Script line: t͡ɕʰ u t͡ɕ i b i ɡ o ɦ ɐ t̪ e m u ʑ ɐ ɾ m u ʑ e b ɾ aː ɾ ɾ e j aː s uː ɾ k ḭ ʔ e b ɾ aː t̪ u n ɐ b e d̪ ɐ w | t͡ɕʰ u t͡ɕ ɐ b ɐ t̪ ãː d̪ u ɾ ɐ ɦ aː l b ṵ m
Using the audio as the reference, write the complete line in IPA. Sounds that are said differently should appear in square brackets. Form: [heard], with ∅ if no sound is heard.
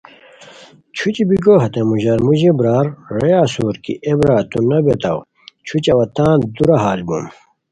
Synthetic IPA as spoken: t͡ɕʰ u t͡ɕ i b i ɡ o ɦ ɐ t̪ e m u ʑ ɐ ɾ m u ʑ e b ɾ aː ɾ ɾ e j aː s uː ɾ k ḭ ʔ e b ɾ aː t̪ u n ɐ b e [t̪] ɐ w | t͡ɕʰ u t͡ɕ ɐ [w] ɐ t̪ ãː d̪ u ɾ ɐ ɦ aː l b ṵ m